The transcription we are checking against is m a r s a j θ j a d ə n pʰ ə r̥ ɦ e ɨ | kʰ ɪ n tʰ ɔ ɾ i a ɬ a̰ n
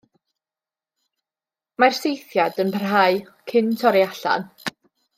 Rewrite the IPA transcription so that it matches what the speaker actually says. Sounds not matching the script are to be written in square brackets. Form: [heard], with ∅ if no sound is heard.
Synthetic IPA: m a r s [e] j θ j a d ə n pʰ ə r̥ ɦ [a] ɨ | kʰ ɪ n tʰ ɔ ɾ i a ɬ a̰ n